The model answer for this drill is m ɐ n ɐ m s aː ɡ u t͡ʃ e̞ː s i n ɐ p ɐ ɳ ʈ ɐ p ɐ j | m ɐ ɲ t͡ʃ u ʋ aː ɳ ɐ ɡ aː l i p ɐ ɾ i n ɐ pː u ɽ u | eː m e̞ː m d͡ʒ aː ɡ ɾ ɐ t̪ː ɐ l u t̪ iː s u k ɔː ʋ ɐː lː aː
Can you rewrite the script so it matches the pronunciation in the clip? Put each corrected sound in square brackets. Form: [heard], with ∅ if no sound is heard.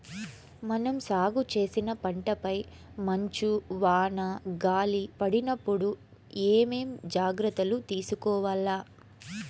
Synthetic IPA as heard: m ɐ n ɐ m s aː ɡ u t͡ʃ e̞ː s i n ɐ p ɐ ɳ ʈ ɐ p ɐ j | m ɐ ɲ t͡ʃ u ʋ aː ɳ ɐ ɡ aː l i p ɐ [ɽ] i n ɐ pː u ɽ u | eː m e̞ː m d͡ʒ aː ɡ ɾ ɐ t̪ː ɐ l u t̪ iː s u k ɔː ʋ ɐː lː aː